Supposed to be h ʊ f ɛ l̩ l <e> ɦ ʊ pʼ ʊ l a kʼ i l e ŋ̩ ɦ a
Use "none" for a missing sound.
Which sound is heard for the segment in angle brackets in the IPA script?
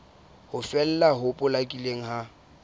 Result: a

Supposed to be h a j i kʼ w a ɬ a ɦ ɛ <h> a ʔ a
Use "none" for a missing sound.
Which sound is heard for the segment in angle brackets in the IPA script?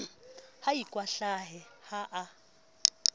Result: h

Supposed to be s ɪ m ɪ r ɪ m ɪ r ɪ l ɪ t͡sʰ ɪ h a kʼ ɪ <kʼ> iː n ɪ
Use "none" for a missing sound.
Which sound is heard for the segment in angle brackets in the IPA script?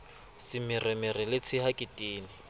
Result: tʼ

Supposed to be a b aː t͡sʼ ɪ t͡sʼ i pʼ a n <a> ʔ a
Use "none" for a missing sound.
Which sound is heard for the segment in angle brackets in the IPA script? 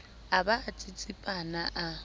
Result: a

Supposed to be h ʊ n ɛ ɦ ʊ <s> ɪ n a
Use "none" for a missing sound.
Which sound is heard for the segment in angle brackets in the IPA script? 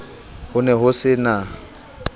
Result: s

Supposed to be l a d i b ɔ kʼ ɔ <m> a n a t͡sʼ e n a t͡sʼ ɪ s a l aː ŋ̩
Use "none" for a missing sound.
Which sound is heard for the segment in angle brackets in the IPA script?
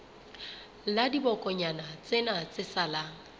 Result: ɲ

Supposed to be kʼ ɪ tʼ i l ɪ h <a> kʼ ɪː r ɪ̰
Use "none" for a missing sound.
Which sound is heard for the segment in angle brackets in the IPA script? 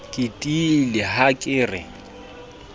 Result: a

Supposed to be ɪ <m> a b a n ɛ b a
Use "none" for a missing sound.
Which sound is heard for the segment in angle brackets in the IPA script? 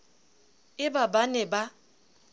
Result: b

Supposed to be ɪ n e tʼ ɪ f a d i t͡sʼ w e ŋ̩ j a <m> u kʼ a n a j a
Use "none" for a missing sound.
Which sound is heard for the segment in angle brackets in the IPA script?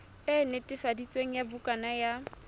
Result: b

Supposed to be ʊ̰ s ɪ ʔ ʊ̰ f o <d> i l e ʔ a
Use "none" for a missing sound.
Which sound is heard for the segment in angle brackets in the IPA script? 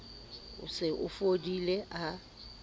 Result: d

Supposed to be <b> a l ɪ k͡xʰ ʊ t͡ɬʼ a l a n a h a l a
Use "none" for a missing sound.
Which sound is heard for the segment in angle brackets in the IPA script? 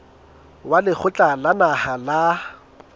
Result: w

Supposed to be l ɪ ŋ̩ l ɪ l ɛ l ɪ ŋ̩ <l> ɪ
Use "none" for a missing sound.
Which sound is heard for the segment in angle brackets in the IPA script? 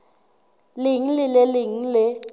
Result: l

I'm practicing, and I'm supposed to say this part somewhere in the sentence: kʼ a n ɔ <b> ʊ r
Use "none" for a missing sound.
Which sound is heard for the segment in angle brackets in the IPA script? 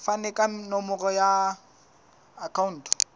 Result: m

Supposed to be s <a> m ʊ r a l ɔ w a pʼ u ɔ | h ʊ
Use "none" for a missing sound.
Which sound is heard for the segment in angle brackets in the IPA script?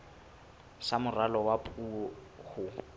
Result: a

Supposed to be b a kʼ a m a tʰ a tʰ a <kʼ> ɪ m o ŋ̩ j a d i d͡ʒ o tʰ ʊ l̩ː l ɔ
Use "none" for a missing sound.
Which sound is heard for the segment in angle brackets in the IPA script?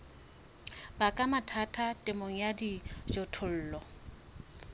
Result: tʼ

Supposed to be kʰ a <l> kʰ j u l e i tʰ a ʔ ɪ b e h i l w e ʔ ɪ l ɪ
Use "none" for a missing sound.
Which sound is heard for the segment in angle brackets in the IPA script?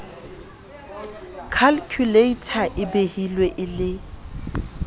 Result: l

